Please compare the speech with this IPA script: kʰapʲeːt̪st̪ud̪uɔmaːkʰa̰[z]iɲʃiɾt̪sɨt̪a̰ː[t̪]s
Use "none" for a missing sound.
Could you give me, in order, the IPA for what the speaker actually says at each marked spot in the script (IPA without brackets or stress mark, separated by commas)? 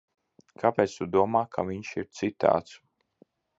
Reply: v, t̪